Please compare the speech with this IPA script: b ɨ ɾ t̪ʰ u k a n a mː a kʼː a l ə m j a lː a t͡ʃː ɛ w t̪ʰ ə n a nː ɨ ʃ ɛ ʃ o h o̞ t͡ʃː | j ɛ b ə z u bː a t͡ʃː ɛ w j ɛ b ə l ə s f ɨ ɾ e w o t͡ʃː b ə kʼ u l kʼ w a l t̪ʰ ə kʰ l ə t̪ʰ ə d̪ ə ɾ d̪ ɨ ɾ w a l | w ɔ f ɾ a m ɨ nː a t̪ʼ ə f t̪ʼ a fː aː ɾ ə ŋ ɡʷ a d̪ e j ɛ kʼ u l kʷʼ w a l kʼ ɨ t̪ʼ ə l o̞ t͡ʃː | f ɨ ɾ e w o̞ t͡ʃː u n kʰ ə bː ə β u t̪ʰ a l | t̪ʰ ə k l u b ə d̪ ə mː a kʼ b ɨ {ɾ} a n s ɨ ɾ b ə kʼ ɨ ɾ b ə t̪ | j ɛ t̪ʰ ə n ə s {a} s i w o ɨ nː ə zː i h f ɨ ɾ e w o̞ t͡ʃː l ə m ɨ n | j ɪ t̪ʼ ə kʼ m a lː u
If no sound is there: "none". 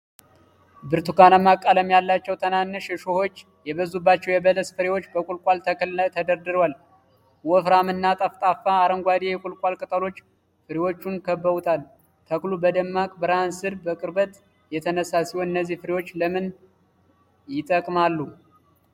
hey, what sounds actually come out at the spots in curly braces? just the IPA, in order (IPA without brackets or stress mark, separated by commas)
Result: ɾ, a